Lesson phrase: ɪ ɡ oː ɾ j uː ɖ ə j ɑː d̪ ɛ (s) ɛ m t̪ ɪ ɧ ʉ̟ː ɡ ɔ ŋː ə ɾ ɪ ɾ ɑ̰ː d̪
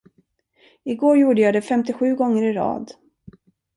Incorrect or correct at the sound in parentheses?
incorrect: f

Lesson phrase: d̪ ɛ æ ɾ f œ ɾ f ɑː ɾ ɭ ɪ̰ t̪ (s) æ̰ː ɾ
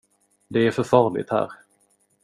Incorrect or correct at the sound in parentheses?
incorrect: h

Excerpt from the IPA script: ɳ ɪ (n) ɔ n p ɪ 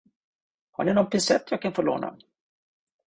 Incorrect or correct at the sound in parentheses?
correct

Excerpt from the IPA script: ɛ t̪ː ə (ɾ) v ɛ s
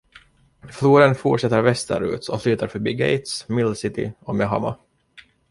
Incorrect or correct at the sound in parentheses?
correct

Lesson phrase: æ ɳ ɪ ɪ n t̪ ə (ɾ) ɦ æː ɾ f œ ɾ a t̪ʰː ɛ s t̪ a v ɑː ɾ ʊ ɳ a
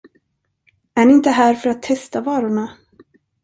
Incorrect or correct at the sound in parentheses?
incorrect: none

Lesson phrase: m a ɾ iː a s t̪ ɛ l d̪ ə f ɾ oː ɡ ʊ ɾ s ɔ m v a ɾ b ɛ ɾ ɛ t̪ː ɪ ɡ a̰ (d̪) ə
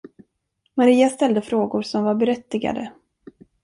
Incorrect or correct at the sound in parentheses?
correct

